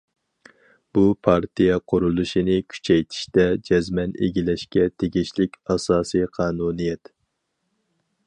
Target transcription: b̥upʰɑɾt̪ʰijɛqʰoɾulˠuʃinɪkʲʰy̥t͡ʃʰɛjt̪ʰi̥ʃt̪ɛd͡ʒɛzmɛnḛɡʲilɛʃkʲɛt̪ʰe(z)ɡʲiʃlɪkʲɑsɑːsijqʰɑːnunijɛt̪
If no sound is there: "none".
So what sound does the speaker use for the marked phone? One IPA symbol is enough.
none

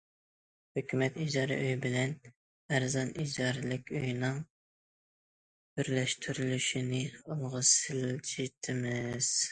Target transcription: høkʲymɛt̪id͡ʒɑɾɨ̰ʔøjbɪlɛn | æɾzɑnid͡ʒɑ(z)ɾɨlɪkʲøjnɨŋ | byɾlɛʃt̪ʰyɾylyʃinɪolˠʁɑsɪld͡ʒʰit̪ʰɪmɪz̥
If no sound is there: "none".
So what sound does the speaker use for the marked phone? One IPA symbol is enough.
none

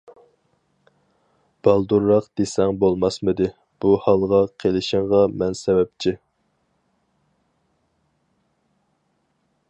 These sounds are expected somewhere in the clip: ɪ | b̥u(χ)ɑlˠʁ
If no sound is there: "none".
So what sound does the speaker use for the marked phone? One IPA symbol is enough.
h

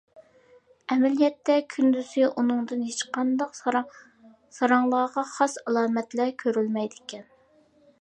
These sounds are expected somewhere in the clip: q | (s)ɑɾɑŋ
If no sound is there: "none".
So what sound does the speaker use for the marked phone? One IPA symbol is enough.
s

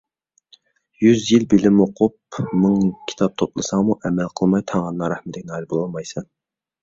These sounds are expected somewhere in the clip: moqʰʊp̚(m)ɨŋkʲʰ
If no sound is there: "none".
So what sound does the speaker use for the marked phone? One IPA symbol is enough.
m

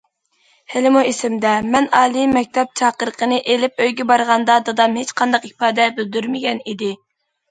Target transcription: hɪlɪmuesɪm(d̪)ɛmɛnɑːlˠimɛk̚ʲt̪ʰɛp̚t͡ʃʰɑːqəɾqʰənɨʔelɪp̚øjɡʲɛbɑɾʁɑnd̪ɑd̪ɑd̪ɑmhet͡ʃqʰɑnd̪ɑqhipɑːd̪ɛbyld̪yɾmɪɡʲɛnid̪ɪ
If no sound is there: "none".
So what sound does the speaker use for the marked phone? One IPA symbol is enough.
d̪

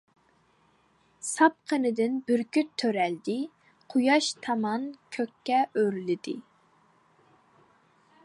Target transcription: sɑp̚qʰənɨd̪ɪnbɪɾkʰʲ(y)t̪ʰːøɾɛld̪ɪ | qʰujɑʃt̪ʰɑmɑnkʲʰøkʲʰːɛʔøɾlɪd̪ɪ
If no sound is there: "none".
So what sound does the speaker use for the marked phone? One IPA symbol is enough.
y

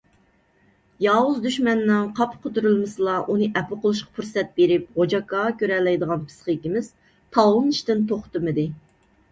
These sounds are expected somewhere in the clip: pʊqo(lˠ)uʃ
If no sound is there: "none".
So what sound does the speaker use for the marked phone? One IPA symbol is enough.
lˠ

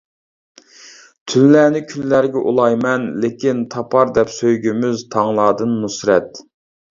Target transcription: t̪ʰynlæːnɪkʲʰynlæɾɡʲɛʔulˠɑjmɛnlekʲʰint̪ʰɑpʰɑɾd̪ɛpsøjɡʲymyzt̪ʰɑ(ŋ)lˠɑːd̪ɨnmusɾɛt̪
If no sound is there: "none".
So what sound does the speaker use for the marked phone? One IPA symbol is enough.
ŋ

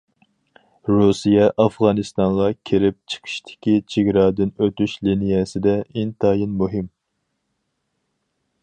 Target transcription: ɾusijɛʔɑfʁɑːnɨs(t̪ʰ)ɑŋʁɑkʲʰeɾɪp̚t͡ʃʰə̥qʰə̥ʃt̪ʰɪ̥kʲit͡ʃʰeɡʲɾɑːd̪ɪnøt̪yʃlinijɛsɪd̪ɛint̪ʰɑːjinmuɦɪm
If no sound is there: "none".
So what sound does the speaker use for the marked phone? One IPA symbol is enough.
t̪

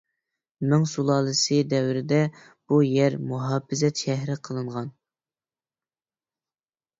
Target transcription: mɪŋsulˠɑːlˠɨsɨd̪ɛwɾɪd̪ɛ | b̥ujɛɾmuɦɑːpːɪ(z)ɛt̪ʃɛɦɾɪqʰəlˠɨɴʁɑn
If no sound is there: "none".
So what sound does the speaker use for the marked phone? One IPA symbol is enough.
z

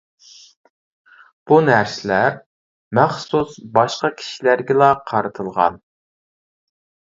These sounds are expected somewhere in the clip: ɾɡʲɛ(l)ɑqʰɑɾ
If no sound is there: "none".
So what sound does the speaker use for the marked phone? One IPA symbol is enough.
l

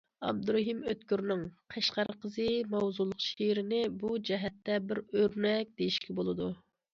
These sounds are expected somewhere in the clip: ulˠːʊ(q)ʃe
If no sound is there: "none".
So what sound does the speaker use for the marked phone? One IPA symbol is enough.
q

